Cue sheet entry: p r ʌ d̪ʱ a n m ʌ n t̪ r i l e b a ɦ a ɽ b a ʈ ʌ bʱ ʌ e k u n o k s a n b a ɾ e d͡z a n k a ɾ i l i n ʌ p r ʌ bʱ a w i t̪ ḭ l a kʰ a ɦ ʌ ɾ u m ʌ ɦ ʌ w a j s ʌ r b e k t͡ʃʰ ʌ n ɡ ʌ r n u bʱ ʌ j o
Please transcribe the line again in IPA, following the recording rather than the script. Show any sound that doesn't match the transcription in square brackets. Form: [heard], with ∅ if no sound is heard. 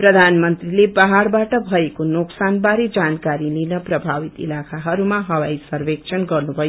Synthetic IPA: p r ʌ d̪ʱ a n m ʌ n t̪ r i l e b a ɦ a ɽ b a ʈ ʌ bʱ ʌ e k [o] n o k s a n b a ɾ e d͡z a n k a ɾ i l i n ʌ p r ʌ bʱ a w i t̪ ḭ l a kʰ a ɦ ʌ ɾ u m [a] ɦ ʌ w a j s ʌ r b e k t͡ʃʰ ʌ n ɡ ʌ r n u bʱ ʌ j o